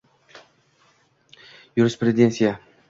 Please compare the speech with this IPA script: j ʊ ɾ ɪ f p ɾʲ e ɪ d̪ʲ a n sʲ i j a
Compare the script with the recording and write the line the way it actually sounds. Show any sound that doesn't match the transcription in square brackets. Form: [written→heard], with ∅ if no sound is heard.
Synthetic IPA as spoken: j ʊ ɾ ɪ [f→s] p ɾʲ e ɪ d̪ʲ [a→e] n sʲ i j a